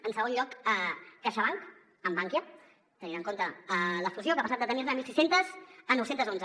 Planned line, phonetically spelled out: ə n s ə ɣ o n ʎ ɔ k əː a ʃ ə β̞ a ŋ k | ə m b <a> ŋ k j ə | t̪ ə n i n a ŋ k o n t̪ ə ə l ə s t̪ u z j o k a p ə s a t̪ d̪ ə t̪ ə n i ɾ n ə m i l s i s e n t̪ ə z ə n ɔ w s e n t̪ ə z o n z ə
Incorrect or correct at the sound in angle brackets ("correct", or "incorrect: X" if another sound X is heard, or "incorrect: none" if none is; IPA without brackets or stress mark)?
correct